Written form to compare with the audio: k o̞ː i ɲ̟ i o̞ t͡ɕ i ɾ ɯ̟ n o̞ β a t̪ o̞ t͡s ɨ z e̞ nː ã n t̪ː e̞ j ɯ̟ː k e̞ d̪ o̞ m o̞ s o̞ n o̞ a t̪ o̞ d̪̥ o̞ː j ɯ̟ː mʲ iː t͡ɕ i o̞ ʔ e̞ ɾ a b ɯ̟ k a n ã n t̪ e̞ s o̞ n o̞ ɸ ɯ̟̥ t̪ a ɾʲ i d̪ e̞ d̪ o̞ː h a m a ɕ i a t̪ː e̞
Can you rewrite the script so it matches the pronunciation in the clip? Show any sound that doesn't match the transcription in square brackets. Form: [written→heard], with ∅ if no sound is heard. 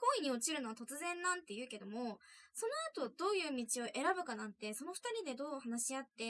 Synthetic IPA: k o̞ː i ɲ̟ i o̞ t͡ɕ i ɾ ɯ̟ n o̞ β a t̪ o̞ t͡s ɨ z [e̞→ẽ̞] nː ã n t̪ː e̞ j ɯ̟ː k e̞ d̪ o̞ m o̞ s o̞ n o̞ a t̪ o̞ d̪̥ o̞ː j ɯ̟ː mʲ [iː→i] t͡ɕ i o̞ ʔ e̞ ɾ a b ɯ̟ k a n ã n t̪ e̞ s o̞ n o̞ ɸ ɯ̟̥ t̪ a ɾʲ i d̪ e̞ d̪ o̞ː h a [m→n] a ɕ i a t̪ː e̞